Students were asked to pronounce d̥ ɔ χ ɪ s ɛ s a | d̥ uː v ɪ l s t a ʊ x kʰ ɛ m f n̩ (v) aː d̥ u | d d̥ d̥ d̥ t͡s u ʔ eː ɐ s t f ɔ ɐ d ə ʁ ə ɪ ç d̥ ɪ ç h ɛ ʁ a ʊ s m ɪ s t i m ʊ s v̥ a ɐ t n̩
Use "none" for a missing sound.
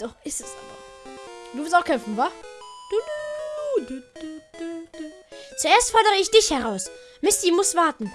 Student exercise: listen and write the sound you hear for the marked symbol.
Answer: v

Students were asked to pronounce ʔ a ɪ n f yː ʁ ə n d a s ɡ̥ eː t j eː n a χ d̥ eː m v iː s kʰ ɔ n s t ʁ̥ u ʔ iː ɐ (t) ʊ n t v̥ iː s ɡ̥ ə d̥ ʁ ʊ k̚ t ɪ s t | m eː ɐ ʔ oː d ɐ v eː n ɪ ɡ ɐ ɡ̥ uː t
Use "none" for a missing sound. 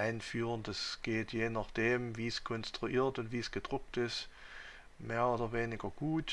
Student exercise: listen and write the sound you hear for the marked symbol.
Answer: t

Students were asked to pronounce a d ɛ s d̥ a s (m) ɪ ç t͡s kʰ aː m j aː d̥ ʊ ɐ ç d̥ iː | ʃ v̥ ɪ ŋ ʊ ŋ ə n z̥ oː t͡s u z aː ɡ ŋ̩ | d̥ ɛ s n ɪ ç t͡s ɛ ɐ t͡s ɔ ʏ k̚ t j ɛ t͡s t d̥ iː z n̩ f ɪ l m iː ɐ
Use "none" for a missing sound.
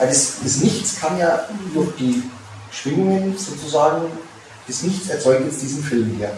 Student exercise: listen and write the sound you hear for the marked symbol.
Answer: n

